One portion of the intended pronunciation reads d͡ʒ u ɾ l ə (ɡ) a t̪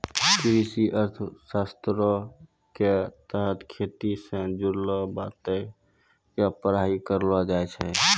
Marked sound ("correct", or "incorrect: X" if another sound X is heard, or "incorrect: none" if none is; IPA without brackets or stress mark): incorrect: b